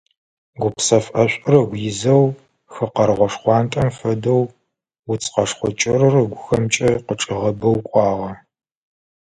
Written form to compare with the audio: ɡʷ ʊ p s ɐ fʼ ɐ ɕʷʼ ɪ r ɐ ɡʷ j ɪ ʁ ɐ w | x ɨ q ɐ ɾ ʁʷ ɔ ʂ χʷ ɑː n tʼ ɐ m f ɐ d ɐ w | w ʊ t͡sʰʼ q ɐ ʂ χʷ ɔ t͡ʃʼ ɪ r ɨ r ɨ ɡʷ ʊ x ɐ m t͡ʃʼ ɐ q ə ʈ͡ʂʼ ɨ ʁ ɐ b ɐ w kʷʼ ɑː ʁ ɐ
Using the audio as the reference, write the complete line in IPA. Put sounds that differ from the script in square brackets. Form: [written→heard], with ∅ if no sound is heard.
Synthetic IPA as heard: ɡʷ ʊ p s ɐ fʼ ɐ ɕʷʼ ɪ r ɐ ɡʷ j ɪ [ʁ→z] ɐ w | x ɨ q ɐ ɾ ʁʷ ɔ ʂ χʷ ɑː n tʼ ɐ m f ɐ d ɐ w | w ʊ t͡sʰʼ q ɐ ʂ χʷ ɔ t͡ʃʼ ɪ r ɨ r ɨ ɡʷ ʊ x ɐ m t͡ʃʼ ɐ q ə ʈ͡ʂʼ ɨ ʁ ɐ b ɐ w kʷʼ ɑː ʁ ɐ